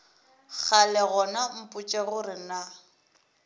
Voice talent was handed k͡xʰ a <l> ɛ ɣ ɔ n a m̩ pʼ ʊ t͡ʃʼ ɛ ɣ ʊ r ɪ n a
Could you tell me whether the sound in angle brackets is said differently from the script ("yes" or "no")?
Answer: no